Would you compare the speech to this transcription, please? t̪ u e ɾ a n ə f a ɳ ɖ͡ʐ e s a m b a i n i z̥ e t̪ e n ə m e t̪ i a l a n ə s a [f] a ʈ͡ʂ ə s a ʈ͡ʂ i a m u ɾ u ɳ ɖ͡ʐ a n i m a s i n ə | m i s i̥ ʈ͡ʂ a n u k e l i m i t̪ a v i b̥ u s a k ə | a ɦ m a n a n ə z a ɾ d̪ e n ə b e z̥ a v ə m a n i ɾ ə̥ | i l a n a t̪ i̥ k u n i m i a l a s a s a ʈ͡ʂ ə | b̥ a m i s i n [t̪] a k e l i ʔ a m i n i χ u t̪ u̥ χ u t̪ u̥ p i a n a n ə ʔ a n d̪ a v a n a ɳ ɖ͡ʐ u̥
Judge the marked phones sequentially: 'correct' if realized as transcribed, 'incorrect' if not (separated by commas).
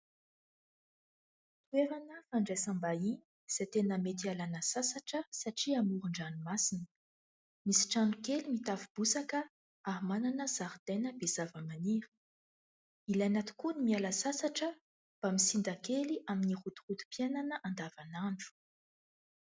incorrect, incorrect